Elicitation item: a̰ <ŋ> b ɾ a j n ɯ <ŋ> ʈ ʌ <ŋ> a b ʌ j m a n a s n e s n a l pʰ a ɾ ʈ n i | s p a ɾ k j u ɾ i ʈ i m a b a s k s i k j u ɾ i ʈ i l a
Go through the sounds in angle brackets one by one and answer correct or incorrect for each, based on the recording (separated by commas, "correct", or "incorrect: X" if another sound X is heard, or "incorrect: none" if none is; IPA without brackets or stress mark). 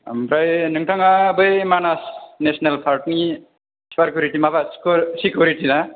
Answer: incorrect: m, correct, correct